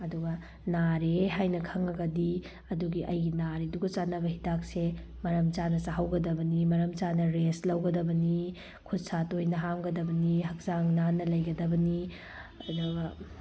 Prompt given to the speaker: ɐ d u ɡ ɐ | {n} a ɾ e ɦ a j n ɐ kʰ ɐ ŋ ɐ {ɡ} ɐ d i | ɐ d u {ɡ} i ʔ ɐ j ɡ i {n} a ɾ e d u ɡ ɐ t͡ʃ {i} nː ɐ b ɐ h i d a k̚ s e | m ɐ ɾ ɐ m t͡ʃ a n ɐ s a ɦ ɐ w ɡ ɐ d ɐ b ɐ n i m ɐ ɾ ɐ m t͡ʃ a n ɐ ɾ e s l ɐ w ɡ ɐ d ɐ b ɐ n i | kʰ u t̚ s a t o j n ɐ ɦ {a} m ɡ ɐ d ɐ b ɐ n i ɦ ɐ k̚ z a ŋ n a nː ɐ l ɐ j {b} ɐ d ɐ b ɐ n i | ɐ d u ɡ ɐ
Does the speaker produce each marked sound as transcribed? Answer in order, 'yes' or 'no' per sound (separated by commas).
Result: yes, yes, yes, yes, no, yes, no